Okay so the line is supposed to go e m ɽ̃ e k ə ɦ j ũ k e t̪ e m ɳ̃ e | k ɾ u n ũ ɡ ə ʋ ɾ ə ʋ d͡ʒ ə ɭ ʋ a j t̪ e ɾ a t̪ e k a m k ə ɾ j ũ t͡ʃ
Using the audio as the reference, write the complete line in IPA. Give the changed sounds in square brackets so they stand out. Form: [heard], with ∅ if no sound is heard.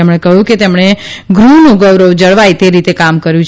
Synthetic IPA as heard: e m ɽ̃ e k ə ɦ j ũ k e t̪ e m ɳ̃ e | [ɡ] ɾ u n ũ ɡ ə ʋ ɾ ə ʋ d͡ʒ ə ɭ ʋ a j t̪ e ɾ [i] t̪ e k a m k ə ɾ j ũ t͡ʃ